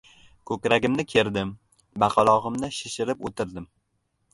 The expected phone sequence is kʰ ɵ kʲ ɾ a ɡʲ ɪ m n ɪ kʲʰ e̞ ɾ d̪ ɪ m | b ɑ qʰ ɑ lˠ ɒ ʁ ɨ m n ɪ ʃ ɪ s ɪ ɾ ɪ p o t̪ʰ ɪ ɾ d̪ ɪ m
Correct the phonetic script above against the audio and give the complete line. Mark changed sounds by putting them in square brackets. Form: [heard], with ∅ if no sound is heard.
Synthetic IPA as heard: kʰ ɵ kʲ ɾ a ɡʲ ɪ m n ɪ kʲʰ e̞ ɾ d̪ ɪ m | b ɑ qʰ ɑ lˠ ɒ ʁ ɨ m n ɪ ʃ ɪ [ʃ] ɪ ɾ ɪ p o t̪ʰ ɪ ɾ d̪ ɪ m